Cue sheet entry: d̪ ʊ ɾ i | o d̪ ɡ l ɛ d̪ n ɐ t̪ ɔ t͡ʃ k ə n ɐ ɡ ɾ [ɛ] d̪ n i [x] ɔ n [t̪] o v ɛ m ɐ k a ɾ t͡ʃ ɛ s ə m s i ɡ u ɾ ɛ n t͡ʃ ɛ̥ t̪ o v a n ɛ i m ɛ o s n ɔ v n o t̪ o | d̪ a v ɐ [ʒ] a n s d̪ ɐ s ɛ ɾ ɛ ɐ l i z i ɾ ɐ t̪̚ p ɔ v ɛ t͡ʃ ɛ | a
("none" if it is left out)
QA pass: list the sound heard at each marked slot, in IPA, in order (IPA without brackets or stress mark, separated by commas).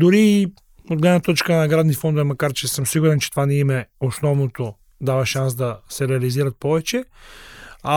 a, f, d̪, ʃ